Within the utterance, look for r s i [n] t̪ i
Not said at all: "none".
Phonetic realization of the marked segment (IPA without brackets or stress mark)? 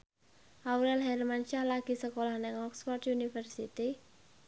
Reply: none